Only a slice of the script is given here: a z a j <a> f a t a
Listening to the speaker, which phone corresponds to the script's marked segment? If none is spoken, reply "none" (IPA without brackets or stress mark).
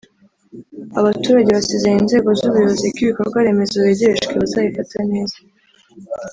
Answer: i